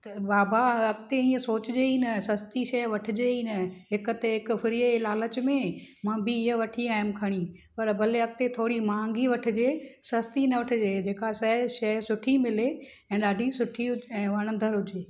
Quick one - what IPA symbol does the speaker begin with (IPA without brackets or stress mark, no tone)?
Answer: t̪